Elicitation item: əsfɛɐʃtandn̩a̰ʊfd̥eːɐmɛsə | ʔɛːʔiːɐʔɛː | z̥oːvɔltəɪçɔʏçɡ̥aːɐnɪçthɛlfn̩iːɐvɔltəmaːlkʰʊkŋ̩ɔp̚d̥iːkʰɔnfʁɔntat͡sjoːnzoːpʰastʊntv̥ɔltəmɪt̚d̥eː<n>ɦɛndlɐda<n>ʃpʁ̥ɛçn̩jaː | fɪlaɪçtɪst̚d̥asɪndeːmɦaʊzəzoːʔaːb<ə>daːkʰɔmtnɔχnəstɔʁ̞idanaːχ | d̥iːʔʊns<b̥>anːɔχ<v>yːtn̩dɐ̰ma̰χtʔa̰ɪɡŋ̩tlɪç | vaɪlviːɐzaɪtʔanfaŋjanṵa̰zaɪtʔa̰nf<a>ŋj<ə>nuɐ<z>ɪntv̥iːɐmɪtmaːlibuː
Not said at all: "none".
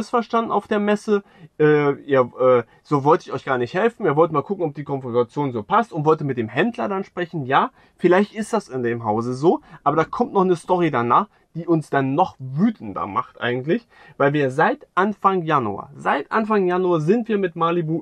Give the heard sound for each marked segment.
m, n, ɐ, d̥, v, a, a, z

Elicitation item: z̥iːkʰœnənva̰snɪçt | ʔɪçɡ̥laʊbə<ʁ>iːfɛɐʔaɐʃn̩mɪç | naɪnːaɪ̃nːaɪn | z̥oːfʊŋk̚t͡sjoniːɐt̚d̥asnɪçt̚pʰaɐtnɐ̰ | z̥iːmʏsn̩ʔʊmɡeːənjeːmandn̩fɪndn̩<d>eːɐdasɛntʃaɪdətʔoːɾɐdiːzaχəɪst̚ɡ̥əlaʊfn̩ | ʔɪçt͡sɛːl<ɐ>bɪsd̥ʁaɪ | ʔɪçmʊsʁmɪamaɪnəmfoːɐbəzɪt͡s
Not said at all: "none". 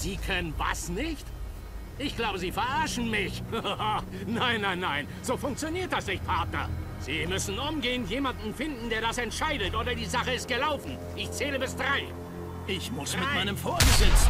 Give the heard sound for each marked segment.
z, d, ə

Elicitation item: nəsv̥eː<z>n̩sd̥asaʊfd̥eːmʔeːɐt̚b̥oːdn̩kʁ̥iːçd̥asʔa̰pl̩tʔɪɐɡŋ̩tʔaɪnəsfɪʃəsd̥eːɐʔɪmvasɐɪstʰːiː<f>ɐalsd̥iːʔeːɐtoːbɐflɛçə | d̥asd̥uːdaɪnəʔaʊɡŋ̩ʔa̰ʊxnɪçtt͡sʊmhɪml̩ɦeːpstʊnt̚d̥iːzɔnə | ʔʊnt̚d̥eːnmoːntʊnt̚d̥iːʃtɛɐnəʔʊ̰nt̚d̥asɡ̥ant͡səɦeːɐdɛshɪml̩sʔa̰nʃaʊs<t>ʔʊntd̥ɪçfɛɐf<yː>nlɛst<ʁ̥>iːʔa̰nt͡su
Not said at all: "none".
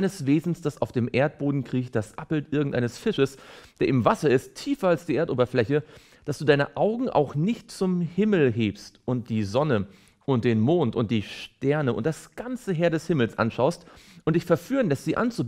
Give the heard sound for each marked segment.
z, f, t, yː, z̥

